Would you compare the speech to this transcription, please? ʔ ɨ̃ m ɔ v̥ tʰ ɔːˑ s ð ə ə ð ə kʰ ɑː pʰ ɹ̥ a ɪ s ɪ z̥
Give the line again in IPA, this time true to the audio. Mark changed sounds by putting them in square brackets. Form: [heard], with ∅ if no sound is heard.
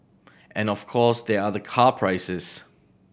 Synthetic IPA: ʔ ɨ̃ [n] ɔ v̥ [kʰ] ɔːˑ s ð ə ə ð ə kʰ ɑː pʰ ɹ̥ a ɪ s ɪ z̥

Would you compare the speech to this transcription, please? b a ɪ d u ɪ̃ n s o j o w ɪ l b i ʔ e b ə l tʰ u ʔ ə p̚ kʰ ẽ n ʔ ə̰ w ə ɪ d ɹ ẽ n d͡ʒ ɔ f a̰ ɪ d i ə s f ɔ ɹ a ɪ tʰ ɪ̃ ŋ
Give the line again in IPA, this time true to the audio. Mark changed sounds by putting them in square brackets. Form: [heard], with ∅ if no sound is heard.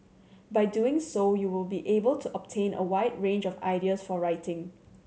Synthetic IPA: b a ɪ d u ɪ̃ [ŋ] s o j [u] w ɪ l b i ʔ e b ə l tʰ u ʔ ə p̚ [tʰ] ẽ n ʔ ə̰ w [a] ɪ d ɹ ẽ n d͡ʒ ɔ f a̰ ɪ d i ə s f ɔ ɹ a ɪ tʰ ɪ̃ ŋ

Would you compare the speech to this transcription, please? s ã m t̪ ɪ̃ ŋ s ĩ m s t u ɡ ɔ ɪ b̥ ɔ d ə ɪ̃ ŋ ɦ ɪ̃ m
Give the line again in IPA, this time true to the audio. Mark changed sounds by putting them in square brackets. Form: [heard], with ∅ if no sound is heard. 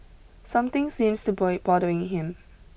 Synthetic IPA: s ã m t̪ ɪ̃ ŋ s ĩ m s t u [b] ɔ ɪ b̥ ɔ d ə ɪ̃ ŋ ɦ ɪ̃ m

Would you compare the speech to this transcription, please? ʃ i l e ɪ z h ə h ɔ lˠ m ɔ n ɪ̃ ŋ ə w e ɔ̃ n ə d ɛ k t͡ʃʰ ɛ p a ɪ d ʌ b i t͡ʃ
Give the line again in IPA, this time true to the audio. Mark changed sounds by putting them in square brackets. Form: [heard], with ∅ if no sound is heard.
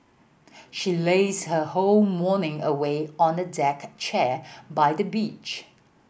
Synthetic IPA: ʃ i l e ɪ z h ə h [o] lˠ m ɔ n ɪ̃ ŋ ə w e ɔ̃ n ə d ɛ k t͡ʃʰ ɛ [b] a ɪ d [ə] b i t͡ʃ

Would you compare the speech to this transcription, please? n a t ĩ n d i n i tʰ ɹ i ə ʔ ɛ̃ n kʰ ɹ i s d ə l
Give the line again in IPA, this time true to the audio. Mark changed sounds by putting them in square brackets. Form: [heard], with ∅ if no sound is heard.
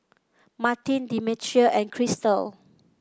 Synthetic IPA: [m] a t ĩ n d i [m] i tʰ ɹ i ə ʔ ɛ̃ n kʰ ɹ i s [t] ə l

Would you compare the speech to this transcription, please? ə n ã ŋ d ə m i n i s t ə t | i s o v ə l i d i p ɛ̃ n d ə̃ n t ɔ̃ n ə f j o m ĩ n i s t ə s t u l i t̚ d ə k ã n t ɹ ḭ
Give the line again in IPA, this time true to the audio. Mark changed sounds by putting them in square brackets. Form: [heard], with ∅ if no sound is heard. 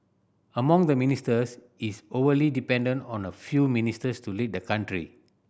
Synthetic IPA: ə [m] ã ŋ d ə m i n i s t ə [s] | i s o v ə l i d i p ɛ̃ n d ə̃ n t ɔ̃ n ə f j [u] m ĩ n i s t ə s t u l i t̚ d ə k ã n t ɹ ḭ

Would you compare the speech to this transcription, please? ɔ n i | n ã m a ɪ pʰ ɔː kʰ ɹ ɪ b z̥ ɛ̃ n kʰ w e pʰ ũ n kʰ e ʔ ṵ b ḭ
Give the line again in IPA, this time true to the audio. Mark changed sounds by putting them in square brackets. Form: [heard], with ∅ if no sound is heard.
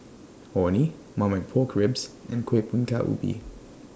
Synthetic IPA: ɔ n i | [m] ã m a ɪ pʰ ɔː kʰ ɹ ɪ b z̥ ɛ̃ n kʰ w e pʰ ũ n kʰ [a] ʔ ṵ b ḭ

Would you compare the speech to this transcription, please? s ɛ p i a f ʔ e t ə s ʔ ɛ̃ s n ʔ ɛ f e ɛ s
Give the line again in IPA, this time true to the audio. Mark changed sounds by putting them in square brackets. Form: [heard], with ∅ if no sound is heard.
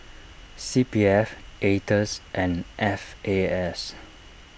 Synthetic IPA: s [i] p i [ɛ] f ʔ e t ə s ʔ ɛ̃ [∅] n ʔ ɛ f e ɛ s

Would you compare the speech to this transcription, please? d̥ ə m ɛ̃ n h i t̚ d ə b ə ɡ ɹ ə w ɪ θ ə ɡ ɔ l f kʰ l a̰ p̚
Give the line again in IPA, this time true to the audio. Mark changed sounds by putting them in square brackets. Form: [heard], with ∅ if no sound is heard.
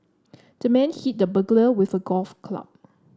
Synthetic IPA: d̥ ə m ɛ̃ n h i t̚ d ə b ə ɡ [l] ə w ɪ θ ə ɡ ɔ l f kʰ l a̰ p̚

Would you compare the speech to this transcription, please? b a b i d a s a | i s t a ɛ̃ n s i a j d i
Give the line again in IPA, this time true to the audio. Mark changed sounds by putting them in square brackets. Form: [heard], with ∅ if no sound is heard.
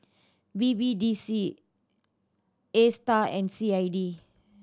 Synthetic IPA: b [i] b i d [i] s [i] | [e] s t a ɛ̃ n s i a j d i

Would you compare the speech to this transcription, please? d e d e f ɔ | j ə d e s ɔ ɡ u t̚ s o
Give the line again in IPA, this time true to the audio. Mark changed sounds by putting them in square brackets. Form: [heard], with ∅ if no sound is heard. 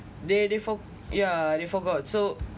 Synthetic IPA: d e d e f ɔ | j [a] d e [f] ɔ ɡ [ɔ] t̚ s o

